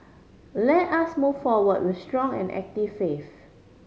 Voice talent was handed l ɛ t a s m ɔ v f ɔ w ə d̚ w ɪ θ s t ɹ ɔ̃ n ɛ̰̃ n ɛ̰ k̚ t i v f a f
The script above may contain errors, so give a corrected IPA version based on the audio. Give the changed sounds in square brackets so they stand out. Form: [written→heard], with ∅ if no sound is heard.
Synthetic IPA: l ɛ t a s m [ɔ→u] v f ɔ w ə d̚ w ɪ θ s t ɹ ɔ̃ [n→ŋ] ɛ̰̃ n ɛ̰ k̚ t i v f [a→e] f